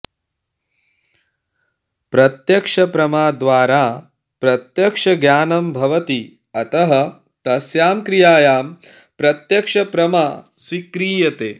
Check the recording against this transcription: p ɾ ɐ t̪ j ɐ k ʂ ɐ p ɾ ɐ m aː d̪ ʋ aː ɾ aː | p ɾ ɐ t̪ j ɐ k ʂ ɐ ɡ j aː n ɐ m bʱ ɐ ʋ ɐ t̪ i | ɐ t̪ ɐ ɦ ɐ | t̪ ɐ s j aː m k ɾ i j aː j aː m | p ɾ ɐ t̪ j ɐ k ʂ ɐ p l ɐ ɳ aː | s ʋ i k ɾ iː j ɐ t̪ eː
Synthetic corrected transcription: p ɾ ɐ t̪ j ɐ k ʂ ɐ p ɾ ɐ m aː d̪ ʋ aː ɾ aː | p ɾ ɐ t̪ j ɐ k ʂ ɐ ɡ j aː n ɐ m bʱ ɐ ʋ ɐ t̪ i | ɐ t̪ ɐ ɦ ɐ | t̪ ɐ s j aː m k ɾ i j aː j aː m | p ɾ ɐ t̪ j ɐ k ʂ ɐ p ɾ ɐ m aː | s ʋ i k ɾ iː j ɐ t̪ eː